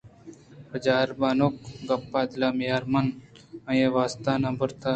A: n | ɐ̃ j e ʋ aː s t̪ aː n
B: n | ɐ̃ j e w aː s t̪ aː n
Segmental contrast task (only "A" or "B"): A